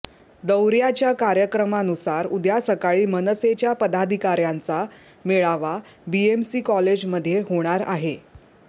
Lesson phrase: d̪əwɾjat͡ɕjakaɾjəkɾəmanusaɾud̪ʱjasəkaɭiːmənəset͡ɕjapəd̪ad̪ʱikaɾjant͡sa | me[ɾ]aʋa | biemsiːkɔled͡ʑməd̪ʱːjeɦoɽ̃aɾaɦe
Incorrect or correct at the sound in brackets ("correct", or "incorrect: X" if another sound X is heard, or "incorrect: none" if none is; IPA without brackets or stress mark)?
incorrect: ɭ